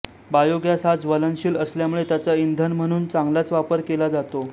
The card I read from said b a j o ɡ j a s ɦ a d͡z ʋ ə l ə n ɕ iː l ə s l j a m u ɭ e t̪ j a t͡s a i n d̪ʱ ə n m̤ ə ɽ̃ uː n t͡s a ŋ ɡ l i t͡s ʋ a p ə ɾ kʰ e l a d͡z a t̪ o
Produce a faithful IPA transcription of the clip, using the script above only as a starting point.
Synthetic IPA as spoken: b a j o ɡ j a s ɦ a d͡z ʋ ə l ə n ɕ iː l ə s l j a m u ɭ e t̪ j a t͡s a i n d̪ʱ ə n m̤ ə ɽ̃ uː n t͡s a ŋ ɡ l a t͡s ʋ a p ə ɾ k e l a d͡z a t̪ o